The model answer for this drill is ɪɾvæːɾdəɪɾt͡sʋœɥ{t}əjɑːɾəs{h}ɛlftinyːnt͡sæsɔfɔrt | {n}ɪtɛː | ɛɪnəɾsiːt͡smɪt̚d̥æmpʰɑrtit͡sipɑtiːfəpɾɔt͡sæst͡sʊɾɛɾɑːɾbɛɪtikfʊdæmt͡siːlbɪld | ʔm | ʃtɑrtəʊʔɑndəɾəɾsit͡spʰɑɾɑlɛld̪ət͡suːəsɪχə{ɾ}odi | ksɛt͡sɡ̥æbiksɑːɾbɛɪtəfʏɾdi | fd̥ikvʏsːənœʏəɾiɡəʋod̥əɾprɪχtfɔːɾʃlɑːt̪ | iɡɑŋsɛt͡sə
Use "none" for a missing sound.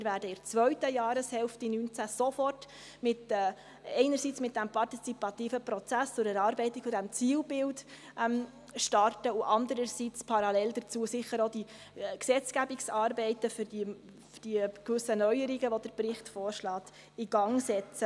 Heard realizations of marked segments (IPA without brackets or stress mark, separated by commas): t, h, m, ɾ